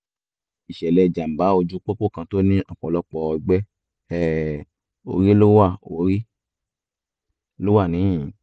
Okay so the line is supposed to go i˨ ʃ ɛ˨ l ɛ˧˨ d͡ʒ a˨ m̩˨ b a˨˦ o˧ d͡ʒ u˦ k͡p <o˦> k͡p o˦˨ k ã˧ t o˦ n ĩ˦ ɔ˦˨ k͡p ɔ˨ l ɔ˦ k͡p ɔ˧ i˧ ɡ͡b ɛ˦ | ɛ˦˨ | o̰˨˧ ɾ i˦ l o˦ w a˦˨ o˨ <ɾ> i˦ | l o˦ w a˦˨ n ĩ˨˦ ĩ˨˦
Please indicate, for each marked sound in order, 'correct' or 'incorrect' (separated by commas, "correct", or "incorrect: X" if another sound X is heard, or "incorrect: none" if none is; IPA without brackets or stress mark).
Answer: correct, correct